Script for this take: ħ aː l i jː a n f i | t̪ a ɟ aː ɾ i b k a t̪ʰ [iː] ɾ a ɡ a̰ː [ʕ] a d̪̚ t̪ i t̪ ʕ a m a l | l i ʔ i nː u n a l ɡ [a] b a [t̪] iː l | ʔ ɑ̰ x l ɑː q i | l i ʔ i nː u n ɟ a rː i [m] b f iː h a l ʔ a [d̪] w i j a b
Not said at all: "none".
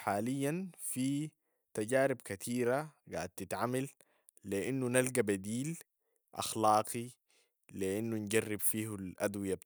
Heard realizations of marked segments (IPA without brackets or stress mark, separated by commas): iː, ʕ, a, d̪, none, d̪